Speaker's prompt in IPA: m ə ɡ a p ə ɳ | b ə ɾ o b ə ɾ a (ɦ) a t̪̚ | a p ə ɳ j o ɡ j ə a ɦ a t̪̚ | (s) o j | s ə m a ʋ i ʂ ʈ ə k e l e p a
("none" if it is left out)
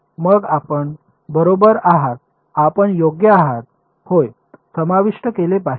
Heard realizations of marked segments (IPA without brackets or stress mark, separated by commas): ɦ, h